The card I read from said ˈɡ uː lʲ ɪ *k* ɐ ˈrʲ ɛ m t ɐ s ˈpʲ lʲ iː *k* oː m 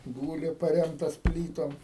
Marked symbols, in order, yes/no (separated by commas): no, no